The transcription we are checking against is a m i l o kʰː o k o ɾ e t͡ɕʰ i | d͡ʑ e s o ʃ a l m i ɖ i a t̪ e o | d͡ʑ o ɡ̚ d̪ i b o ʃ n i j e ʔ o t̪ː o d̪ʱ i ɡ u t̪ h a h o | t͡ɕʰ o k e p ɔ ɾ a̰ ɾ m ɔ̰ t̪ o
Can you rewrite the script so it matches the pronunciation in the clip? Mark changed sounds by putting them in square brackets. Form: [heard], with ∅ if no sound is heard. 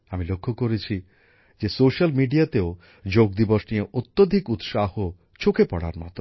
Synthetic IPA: a m i l o kʰː o k o ɾ e t͡ɕʰ i | d͡ʑ e s o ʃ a l m i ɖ i a t̪ e o | d͡ʑ o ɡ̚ d̪ i b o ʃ n i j e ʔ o t̪ː o d̪ʱ i [k] u t̪ [ʃ] a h o | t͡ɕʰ o k e p ɔ [ɽ] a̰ ɾ m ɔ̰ t̪ o